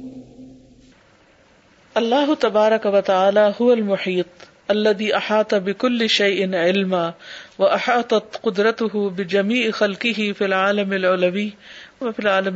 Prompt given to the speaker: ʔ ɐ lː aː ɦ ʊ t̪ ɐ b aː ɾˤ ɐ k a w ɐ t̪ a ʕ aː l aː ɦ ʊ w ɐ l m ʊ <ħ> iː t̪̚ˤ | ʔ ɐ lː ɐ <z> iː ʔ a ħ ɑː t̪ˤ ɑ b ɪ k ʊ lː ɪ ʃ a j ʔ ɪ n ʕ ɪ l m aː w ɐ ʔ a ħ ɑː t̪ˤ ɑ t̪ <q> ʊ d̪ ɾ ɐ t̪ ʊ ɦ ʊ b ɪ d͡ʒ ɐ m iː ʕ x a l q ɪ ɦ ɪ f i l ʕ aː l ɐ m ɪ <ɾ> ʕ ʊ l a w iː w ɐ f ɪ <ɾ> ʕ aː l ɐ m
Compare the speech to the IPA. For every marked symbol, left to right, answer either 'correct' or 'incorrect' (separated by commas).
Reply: correct, incorrect, correct, incorrect, incorrect